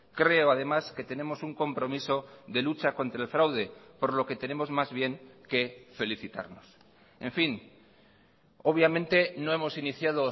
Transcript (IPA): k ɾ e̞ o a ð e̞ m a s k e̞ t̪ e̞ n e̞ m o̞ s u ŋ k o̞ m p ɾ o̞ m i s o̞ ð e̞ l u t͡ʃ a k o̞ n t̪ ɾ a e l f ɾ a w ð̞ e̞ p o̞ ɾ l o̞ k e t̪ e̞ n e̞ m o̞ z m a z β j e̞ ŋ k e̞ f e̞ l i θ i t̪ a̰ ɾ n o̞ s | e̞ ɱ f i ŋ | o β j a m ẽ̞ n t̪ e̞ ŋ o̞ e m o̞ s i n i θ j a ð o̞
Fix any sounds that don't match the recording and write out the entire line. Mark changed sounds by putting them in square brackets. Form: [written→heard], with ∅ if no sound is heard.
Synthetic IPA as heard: k ɾ e̞ o a ð e̞ m a s k e̞ t̪ e̞ n e̞ m o̞ s u ŋ k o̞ m p ɾ o̞ m i s o̞ ð e̞ l u t͡ʃ a k o̞ n t̪ ɾ a e l f ɾ a w ð̞ e̞ p o̞ ɾ l o̞ k e t̪ e̞ n e̞ m o̞ z m a z β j e̞ ŋ k e̞ f e̞ l i θ i t̪ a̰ ɾ n o̞ s | e̞ ɱ f i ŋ | o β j a m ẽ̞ n t̪ e̞ [ŋ→n] o̞ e m o̞ s i n i θ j a ð o̞